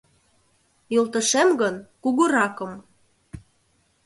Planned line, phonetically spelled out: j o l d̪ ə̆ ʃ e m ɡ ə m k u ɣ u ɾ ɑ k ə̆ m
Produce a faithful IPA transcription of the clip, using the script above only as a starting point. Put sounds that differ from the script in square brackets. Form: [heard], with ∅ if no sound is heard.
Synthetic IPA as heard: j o l [t̪] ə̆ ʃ e m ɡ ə [n] k u ɣ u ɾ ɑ k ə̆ m